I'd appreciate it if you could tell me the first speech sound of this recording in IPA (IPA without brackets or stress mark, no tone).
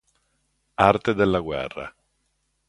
a